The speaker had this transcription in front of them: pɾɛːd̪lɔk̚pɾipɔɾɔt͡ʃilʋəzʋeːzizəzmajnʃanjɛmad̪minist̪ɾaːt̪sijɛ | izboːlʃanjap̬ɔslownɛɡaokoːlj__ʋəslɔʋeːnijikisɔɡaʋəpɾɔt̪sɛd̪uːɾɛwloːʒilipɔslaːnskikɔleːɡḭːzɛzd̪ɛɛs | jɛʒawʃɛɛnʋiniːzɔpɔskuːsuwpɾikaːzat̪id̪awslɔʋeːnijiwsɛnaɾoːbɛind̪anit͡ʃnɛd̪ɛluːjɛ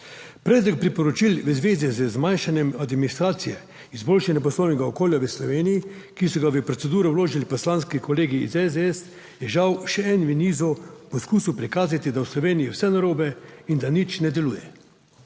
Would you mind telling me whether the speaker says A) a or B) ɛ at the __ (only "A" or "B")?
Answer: A